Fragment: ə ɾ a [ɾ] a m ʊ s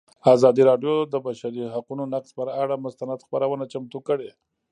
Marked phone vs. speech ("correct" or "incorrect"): incorrect